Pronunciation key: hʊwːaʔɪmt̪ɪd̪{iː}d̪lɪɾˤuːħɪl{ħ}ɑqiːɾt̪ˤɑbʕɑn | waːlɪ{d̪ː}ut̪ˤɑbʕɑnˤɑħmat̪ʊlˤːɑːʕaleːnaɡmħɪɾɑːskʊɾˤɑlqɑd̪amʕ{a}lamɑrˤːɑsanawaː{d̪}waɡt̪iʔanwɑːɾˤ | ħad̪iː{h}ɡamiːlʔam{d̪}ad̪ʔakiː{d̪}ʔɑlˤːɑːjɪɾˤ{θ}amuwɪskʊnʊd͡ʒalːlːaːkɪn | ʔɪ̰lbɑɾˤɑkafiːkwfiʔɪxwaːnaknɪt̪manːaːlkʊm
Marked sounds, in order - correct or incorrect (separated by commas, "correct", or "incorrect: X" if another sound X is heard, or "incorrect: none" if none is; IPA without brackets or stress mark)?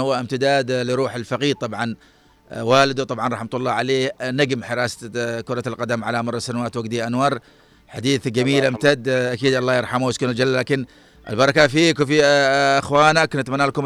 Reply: incorrect: aː, incorrect: f, incorrect: d̪, correct, incorrect: t̪, incorrect: θ, incorrect: t̪, correct, incorrect: ħ